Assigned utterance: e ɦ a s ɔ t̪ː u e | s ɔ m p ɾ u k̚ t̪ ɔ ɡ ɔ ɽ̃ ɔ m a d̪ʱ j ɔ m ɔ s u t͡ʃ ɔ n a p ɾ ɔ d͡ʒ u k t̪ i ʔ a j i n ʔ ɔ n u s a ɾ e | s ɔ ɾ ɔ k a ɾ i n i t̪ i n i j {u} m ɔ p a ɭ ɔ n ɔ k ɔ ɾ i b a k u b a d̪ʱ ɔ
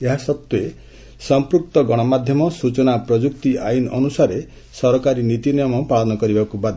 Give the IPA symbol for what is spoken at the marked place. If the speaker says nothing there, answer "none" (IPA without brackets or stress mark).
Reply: ɔ